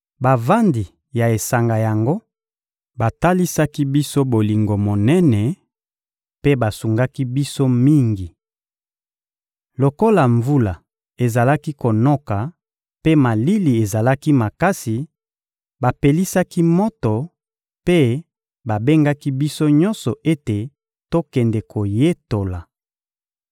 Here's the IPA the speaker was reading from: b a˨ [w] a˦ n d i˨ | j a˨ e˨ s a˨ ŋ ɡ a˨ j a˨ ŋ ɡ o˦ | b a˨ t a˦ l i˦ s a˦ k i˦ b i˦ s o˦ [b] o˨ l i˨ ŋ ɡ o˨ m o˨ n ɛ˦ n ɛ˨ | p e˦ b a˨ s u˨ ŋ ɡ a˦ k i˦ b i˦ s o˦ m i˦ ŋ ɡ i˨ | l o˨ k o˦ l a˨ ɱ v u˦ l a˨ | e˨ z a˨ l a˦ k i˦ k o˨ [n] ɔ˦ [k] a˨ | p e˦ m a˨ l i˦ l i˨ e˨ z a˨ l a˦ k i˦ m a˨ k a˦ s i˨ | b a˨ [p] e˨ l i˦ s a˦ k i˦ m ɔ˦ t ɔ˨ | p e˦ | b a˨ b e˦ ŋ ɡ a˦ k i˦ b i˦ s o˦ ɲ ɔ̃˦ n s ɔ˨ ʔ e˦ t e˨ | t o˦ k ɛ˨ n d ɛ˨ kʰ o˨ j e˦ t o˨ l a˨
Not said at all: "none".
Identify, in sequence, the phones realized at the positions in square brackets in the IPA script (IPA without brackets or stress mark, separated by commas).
v, b, n, k, p